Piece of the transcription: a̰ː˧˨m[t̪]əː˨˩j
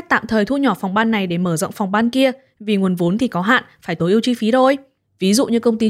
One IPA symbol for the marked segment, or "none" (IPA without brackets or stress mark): t̪ʰ